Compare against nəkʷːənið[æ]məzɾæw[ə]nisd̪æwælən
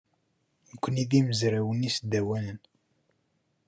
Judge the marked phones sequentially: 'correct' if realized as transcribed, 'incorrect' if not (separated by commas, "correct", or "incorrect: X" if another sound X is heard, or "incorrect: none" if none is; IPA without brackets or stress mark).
incorrect: i, correct